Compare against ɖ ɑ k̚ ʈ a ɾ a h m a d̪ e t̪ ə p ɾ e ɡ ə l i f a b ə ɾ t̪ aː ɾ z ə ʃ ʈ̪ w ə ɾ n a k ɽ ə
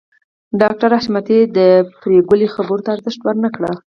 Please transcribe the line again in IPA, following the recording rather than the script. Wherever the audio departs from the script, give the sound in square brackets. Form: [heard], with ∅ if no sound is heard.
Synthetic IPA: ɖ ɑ k̚ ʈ a ɾ a [ʃ] m a [t̪] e [d̪] ə p ɾ e ɡ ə l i [x] a b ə ɾ t̪ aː ɾ z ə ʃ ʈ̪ w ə ɾ n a k ɽ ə